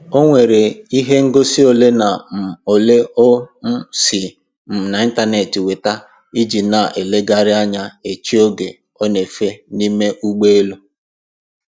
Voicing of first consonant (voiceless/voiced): voiced